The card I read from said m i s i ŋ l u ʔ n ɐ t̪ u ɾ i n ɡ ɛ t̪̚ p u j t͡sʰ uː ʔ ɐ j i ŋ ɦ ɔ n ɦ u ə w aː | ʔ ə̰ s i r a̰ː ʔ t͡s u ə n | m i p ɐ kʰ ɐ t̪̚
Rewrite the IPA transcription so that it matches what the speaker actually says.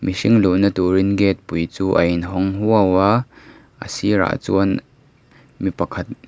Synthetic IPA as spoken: m i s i ŋ l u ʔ n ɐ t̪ u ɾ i n ɡ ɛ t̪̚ p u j t͡s uː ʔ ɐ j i n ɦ ɔ ŋ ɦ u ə w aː | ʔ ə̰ s i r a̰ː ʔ t͡s u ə n | m i p ɐ kʰ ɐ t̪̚